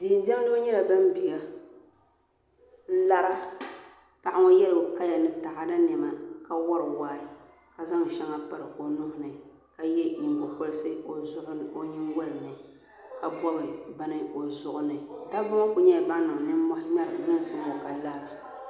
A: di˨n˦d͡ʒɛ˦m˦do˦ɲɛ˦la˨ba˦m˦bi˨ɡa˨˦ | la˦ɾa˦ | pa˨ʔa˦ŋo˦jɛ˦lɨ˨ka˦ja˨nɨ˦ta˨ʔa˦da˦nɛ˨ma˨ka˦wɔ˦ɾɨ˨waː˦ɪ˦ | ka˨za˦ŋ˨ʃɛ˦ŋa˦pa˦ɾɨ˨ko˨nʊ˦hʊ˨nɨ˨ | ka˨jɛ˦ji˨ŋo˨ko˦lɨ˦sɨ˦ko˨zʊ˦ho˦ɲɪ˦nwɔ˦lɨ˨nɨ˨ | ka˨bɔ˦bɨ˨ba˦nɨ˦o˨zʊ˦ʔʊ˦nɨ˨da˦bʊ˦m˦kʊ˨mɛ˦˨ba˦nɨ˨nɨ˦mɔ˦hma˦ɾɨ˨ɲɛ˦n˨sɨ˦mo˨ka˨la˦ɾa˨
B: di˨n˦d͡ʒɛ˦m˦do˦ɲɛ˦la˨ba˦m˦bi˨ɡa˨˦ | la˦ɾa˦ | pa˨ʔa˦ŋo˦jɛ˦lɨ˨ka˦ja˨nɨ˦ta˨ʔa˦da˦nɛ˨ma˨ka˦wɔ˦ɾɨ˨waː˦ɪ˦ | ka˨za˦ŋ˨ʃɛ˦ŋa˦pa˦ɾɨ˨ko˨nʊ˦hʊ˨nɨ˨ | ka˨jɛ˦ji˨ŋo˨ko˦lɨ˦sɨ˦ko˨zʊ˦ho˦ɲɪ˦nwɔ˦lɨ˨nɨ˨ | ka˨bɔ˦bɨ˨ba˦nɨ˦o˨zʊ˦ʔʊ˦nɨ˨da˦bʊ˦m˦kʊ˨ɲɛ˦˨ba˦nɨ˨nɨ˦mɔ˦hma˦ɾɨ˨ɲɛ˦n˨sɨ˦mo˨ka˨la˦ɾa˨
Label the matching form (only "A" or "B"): B